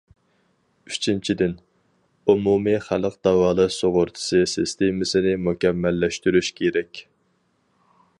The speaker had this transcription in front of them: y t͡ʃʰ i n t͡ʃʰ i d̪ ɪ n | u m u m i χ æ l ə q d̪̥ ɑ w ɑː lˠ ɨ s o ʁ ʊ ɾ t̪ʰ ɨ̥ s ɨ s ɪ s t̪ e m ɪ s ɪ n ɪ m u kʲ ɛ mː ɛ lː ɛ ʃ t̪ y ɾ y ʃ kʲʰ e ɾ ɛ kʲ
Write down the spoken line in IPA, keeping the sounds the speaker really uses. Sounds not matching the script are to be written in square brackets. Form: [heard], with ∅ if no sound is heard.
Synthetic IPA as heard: y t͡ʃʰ i n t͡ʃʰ i d̪ ɪ n | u m u m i χ æ l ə q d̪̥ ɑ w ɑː lˠ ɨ s o ʁ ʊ ɾ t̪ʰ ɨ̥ s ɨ s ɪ s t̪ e m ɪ s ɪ n ɪ m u kʲ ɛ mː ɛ lː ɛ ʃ t̪ y ɾ y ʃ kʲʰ e ɾ ɛ kʲ